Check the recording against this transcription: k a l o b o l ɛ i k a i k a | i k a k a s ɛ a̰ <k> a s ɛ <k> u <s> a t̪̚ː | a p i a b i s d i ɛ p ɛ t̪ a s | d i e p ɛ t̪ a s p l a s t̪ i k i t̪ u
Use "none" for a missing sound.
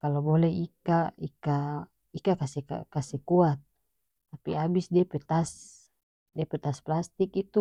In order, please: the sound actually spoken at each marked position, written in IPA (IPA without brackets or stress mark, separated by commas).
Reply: k, k, none